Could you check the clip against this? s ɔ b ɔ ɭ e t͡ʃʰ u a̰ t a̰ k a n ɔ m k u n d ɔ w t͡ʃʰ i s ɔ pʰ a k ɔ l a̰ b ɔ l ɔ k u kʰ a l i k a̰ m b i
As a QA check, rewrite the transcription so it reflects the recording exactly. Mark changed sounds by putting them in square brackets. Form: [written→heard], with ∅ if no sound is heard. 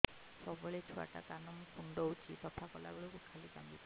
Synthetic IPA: s ɔ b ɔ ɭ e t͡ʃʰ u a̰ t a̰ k a n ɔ m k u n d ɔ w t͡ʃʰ i s ɔ pʰ a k ɔ l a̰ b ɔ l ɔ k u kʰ a l i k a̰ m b i